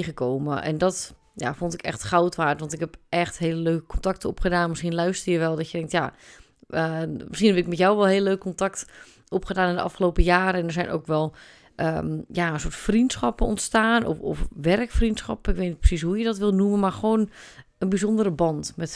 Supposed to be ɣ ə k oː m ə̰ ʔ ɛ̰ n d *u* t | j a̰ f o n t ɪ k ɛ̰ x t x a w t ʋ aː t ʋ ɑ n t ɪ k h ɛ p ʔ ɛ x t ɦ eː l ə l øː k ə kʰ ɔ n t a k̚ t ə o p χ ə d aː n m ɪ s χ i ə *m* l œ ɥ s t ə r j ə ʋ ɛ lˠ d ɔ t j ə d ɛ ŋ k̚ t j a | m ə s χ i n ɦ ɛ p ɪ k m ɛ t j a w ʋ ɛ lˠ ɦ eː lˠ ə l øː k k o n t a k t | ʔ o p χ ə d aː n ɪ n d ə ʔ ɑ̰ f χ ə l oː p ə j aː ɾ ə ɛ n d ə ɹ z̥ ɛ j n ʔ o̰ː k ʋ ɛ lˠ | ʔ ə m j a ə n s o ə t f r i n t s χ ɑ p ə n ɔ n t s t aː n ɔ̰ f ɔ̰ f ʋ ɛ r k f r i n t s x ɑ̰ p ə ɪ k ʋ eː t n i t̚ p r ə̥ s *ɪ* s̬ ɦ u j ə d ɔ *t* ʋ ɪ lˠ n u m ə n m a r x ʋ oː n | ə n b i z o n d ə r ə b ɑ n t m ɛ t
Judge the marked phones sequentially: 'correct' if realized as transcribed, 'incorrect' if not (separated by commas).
incorrect, incorrect, incorrect, correct